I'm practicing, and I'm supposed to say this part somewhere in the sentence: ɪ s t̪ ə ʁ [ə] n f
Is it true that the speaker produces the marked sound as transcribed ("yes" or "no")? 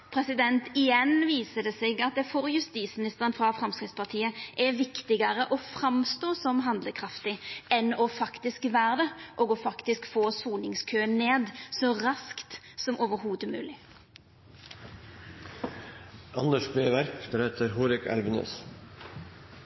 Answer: yes